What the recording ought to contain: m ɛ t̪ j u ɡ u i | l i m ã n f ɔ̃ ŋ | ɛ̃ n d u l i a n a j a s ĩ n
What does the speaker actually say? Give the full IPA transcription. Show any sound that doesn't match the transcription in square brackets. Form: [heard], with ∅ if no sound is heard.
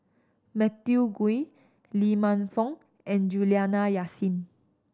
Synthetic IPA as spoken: m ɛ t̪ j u ɡ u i | l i m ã n f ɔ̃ ŋ | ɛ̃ n [d͡ʒ] u l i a n a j a s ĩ n

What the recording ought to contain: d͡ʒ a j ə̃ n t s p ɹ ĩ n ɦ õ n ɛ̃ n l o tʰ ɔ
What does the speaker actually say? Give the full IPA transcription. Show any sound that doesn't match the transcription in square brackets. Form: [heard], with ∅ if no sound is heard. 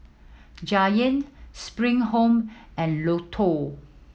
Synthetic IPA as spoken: d͡ʒ a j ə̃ n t s p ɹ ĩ [ŋ] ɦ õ [m] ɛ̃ n l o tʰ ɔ

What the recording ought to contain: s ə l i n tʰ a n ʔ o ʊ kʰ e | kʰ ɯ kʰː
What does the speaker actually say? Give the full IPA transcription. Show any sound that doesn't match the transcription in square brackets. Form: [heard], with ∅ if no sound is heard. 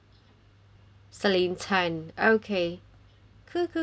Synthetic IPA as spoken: s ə l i n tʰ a n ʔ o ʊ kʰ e | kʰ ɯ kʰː

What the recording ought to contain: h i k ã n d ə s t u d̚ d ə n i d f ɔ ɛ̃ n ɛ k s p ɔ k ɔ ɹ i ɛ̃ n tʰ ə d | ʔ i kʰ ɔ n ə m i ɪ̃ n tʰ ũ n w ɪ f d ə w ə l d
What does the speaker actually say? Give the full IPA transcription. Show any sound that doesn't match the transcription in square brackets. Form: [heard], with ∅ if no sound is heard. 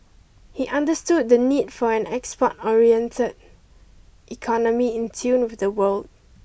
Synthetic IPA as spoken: h i [ʔ] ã n d ə s t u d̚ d ə n i d f ɔ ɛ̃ n ɛ k s p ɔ [t] ɔ ɹ i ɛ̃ n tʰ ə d | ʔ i kʰ ɔ n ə m i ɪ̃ n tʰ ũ n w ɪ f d ə w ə l d

